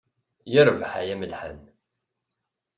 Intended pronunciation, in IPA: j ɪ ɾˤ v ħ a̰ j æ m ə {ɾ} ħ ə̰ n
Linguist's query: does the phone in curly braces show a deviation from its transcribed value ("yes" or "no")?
yes